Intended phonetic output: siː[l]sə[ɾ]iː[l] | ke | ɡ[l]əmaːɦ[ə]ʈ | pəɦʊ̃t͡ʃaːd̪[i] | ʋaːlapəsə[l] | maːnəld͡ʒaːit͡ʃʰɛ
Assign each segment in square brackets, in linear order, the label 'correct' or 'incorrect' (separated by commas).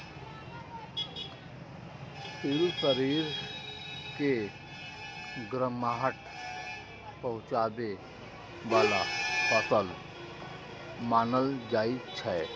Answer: correct, correct, incorrect, incorrect, correct, incorrect, correct